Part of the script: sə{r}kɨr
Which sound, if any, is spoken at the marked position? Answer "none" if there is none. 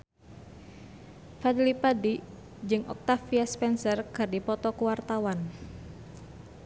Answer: r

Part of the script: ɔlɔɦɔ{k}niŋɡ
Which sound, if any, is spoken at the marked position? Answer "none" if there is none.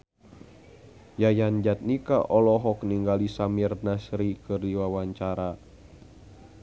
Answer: k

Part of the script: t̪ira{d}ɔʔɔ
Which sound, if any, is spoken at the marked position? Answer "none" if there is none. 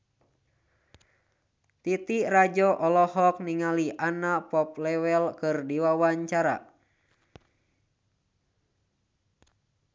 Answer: d͡ʒ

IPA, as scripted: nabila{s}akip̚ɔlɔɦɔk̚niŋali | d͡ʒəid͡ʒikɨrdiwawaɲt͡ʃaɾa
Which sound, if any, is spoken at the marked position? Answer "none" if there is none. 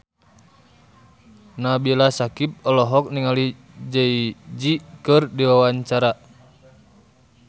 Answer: s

